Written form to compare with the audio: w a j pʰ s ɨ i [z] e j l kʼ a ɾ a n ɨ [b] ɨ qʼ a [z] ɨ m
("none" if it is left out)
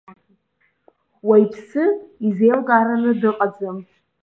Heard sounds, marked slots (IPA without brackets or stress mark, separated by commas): z, d, d͡z